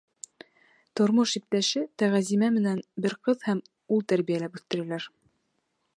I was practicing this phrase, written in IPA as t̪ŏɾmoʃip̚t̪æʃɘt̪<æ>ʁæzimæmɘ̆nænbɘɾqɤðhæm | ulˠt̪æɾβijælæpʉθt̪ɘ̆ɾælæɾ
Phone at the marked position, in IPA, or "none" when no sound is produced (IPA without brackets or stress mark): æ